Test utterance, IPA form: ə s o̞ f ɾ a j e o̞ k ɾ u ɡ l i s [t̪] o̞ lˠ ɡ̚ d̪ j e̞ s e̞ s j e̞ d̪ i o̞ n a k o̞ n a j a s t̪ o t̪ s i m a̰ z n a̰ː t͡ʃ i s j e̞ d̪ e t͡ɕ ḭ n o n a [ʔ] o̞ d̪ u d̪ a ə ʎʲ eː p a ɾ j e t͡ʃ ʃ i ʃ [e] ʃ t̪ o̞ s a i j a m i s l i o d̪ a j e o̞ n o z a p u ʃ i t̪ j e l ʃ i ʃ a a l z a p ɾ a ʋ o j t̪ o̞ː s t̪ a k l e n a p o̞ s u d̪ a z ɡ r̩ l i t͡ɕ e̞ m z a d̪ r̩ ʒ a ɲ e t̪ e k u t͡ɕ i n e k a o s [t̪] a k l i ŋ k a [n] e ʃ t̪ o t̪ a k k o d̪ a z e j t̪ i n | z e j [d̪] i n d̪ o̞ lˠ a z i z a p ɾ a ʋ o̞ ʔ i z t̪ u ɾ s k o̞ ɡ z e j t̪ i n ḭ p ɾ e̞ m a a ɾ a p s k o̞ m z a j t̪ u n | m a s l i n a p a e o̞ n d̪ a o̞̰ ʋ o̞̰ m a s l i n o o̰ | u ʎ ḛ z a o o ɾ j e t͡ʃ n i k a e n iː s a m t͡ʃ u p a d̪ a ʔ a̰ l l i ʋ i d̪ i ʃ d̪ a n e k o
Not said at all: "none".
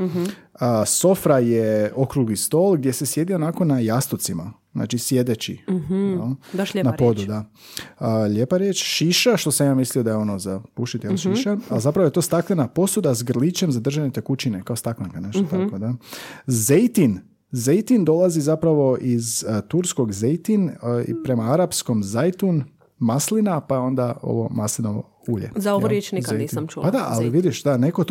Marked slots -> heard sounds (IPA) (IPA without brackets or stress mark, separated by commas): t̪, p, a, t̪, n, t̪